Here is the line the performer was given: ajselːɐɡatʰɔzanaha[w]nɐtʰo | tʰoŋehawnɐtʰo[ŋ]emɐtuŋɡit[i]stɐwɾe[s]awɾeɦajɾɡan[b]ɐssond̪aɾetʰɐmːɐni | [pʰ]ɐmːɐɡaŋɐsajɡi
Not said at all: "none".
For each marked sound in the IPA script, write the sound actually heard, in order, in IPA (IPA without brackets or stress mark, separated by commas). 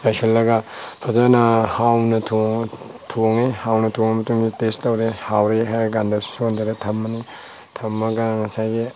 w, ŋ, e, h, d, tʰ